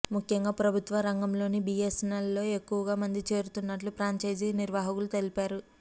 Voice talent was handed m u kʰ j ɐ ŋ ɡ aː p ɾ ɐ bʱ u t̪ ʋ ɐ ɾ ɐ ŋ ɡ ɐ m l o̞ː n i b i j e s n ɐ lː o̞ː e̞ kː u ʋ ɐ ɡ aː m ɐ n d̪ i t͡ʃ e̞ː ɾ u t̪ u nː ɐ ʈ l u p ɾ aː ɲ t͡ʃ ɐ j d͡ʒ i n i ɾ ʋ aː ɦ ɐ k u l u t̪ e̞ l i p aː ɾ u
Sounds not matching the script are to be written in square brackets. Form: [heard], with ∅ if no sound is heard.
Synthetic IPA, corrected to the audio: m u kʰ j ɐ ŋ ɡ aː p ɾ ɐ bʱ u t̪ ʋ ɐ ɾ ɐ ŋ ɡ ɐ m l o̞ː n i b i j e s n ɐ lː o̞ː e̞ kː u ʋ ɐ ɡ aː m ɐ n d̪ i t͡ʃ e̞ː ɾ u t̪ u nː ɐ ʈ l u p ɾ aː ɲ t͡ʃ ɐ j d͡ʒ i n i ɾ ʋ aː ɦ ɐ k u l u t̪ e̞ l i p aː ɾ u

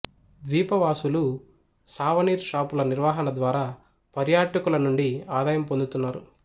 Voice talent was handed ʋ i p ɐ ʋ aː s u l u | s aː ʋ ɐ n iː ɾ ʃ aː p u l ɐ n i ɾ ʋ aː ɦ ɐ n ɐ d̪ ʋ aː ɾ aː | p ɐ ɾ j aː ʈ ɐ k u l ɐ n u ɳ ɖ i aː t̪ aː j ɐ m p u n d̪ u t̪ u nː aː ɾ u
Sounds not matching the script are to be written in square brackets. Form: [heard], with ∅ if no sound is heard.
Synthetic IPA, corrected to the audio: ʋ [iː] p ɐ ʋ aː s u l u | s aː ʋ ɐ n iː ɾ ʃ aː p u l ɐ n i ɾ ʋ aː ɦ ɐ n ɐ d̪ ʋ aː ɾ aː | p ɐ ɾ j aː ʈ ɐ k u l ɐ n u ɳ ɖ i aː [d̪] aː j ɐ m p [o] n d̪ u t̪ u nː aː ɾ u

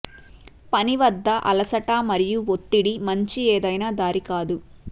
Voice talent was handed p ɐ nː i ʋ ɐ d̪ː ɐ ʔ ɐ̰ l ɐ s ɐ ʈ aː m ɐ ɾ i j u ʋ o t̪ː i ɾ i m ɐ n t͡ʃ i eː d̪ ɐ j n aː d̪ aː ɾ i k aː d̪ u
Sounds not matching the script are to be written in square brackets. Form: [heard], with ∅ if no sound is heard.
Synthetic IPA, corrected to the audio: p ɐ [n] i ʋ ɐ d̪ː ɐ ʔ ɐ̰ l ɐ s ɐ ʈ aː m ɐ ɾ i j u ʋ o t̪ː i [ɽ] i m ɐ [ɲ] t͡ʃ i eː d̪ ɐ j n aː d̪ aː ɾ i k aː d̪ u

